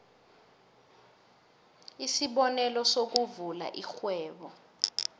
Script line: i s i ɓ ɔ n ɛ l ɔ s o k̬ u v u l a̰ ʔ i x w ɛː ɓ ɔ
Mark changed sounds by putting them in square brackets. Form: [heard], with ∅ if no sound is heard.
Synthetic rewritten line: i s i ɓ ɔ n ɛ l ɔ s o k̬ u v u l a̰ ʔ i x w ɛː ɓ ɔ